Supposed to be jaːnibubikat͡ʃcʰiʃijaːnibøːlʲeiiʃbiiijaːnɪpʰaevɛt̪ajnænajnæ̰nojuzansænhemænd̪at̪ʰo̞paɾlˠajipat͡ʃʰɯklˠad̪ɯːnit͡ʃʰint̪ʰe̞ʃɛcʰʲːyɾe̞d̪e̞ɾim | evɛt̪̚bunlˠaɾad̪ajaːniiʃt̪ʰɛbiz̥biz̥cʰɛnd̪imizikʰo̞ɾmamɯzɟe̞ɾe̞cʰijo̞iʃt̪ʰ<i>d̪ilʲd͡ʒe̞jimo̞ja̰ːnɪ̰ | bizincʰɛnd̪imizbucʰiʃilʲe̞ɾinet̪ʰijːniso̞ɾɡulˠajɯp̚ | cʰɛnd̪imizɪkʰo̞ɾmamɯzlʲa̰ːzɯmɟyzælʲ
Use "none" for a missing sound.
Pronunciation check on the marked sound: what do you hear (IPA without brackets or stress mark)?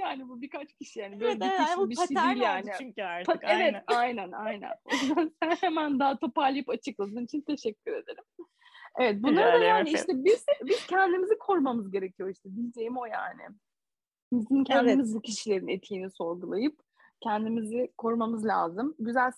ɛ